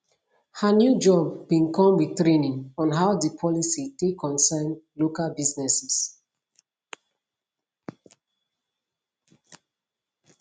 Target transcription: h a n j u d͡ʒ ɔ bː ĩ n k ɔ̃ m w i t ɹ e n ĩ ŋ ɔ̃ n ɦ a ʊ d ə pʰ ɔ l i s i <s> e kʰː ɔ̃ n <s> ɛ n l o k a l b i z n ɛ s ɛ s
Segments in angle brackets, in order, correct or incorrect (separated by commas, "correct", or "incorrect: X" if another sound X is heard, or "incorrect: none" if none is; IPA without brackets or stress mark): incorrect: t, correct